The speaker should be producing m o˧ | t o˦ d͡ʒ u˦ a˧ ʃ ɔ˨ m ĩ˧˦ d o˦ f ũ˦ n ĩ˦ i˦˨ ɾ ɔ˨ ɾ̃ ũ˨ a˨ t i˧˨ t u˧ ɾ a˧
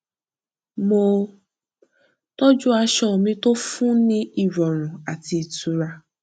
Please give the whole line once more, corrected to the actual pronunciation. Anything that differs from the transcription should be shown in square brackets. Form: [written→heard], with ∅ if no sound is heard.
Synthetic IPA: m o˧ | t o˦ d͡ʒ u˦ a˧ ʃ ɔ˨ m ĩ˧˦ [d→t] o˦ f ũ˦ n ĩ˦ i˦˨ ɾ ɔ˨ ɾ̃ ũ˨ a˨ t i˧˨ t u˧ ɾ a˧